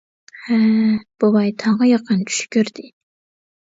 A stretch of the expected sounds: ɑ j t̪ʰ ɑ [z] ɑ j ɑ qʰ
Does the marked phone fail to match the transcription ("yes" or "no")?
yes